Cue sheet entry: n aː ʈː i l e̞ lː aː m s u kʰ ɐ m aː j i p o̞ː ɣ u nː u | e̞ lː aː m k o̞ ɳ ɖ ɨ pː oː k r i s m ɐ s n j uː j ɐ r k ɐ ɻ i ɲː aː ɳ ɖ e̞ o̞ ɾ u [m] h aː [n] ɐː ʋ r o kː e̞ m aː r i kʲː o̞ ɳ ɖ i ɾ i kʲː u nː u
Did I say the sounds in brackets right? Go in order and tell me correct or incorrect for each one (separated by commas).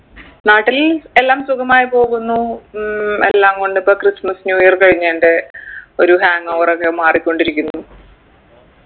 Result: incorrect, incorrect